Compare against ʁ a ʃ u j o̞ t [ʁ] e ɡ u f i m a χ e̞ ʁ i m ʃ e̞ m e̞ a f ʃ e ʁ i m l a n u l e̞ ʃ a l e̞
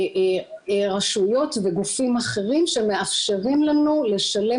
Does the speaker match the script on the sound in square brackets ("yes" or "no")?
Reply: no